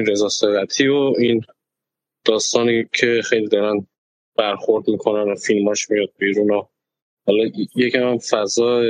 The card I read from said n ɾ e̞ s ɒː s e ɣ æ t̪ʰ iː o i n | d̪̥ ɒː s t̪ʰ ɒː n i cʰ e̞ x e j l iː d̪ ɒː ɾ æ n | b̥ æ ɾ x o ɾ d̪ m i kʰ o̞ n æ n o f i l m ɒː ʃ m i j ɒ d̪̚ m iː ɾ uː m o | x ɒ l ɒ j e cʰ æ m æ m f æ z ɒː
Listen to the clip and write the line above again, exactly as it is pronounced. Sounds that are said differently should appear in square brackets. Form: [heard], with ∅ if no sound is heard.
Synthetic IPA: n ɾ e̞ [z] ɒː s e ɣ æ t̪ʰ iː o i n | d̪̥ ɒː s [t̪] ɒː n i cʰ e̞ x e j l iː d̪ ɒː ɾ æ n | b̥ æ ɾ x o ɾ d̪ m i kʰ o̞ n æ n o f i l m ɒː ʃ m i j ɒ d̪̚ [b] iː ɾ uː [n] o | [h] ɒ l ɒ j e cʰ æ m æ m f æ z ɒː